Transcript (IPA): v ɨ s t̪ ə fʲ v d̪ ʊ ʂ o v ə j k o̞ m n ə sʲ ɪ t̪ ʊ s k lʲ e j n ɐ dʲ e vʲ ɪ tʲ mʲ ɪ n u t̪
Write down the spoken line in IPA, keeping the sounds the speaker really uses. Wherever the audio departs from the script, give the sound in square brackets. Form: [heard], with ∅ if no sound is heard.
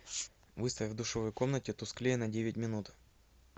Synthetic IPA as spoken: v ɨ s t̪ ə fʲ v d̪ ʊ ʂ o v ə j k o̞ m n ə [tʲ] ɪ t̪ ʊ s k lʲ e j n ɐ dʲ e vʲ ɪ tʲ mʲ ɪ n u t̪